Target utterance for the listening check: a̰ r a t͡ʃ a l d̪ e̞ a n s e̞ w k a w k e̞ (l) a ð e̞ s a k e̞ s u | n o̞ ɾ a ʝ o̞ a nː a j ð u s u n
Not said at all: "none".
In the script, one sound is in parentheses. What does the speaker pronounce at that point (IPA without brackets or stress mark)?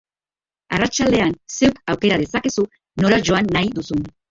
ɾ